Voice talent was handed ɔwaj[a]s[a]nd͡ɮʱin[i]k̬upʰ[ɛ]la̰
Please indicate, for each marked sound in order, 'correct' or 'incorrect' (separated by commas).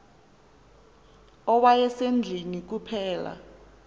incorrect, incorrect, correct, incorrect